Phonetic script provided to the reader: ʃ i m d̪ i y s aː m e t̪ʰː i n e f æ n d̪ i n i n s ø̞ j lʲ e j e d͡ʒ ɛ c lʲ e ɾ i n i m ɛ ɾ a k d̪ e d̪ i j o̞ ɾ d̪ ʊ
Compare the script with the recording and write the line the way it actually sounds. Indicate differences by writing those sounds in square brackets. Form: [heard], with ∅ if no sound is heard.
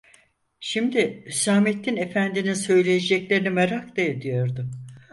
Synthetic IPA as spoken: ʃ i m d̪ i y s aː m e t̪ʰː i n e f æ n d̪ i n i n s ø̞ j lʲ e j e d͡ʒ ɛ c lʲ e ɾ i n i m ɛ ɾ a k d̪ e d̪ i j o̞ ɾ d̪ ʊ